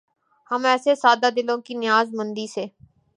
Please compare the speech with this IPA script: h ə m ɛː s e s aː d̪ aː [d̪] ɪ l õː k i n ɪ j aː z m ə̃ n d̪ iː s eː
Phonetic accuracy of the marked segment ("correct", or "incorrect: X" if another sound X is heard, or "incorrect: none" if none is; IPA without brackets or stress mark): correct